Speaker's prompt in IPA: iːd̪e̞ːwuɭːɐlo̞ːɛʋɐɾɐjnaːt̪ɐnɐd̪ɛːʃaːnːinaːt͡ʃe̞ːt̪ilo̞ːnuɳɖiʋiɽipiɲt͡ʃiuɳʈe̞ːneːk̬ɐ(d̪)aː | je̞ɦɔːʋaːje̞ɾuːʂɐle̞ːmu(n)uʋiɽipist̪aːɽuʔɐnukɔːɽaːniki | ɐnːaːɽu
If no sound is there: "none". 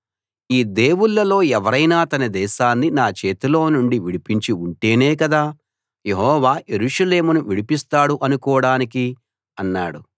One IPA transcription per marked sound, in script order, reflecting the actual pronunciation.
d̪, n

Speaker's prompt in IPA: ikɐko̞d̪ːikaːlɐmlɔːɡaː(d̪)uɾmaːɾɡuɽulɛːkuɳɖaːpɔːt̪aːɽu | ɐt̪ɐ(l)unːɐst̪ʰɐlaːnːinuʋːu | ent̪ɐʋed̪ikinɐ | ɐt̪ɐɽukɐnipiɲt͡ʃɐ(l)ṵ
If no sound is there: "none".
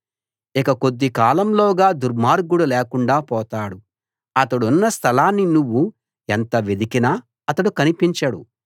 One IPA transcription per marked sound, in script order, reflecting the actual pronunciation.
d̪, ɽ, ɽ

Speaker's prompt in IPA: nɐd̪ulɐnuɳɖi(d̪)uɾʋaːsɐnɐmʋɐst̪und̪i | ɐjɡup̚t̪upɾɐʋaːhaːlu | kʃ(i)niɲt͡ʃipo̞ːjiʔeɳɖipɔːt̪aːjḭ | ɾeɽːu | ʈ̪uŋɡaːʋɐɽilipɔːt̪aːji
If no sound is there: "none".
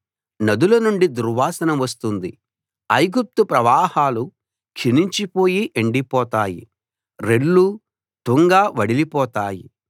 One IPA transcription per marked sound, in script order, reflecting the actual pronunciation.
d̪, i

